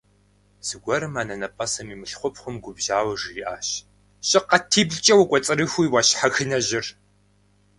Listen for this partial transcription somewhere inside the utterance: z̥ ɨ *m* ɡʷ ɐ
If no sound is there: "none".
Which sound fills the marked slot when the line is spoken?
none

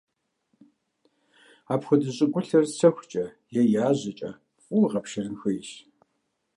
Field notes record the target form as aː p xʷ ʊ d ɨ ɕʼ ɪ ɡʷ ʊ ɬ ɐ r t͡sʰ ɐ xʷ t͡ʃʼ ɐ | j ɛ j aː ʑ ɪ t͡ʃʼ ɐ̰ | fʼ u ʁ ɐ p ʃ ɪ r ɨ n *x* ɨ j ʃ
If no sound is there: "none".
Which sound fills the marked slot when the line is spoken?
x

